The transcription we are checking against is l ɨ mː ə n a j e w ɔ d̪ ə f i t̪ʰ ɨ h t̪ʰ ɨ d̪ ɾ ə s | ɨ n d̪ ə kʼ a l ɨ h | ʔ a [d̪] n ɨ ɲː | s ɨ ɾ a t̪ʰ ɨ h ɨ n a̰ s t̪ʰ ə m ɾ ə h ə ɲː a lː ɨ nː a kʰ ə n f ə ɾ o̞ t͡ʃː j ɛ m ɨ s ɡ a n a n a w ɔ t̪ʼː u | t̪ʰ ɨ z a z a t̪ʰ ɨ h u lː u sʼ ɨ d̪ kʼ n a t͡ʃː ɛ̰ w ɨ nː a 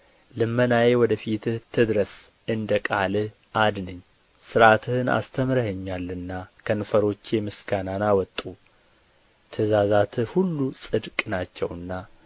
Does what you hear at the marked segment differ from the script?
no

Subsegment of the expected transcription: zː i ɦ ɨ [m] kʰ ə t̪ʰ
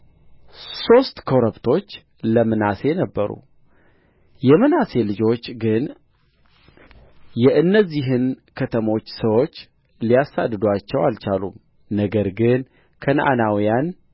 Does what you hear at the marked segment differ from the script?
yes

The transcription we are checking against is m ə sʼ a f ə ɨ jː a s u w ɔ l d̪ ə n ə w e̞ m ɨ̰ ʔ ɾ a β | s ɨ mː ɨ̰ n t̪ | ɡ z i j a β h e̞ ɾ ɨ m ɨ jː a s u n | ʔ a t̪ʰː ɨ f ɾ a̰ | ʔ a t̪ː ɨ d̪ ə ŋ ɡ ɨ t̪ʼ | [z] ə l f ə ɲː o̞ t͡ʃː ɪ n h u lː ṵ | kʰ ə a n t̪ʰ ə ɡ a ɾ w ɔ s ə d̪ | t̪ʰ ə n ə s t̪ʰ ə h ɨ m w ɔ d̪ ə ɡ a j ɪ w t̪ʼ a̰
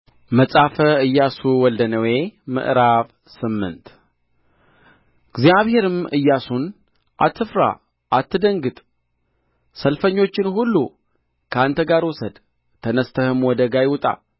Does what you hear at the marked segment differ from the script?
yes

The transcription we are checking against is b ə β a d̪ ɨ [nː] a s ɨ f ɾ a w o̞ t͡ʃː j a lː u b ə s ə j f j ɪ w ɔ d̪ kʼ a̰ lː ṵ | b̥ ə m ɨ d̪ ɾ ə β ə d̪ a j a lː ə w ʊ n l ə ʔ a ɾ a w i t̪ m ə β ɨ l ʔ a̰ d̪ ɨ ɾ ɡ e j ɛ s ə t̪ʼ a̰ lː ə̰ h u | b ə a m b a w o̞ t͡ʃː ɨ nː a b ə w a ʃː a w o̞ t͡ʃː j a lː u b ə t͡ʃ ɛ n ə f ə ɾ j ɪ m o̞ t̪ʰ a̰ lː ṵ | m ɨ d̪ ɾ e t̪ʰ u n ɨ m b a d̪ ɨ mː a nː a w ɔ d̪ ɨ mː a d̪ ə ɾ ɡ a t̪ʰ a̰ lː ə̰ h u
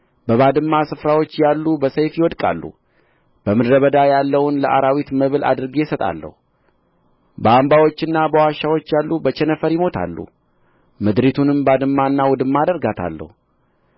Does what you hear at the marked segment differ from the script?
yes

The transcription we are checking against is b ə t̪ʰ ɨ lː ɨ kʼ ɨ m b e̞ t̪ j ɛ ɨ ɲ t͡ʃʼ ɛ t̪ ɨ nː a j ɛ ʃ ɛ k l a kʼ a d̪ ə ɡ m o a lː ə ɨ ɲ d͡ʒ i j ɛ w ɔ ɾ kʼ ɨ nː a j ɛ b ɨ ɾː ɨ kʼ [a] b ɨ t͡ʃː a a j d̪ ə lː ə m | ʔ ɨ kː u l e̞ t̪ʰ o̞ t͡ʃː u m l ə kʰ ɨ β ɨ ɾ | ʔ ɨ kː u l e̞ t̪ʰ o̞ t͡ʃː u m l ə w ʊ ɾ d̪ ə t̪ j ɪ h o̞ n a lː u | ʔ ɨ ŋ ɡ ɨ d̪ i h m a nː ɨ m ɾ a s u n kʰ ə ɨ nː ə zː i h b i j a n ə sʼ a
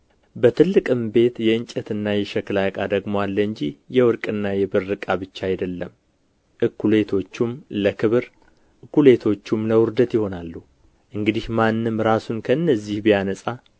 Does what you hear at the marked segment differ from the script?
no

